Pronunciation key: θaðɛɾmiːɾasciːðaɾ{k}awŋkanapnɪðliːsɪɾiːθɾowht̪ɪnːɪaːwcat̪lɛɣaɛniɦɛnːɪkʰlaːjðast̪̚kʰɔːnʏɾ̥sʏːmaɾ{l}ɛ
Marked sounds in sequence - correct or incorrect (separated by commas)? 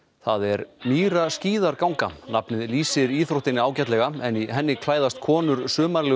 correct, correct